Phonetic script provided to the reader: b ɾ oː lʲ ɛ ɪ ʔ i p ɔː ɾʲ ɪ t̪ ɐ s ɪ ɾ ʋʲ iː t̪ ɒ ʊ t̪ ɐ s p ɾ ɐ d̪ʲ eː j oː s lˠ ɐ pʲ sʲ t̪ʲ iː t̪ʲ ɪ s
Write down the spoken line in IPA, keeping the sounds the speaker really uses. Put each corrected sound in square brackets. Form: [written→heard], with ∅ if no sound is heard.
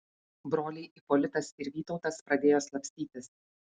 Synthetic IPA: b ɾ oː lʲ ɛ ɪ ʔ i p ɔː [ɾʲ→lʲ] ɪ t̪ ɐ s ɪ ɾ ʋʲ iː t̪ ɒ ʊ t̪ ɐ s p ɾ ɐ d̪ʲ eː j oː s lˠ ɐ pʲ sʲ t̪ʲ iː t̪ʲ ɪ s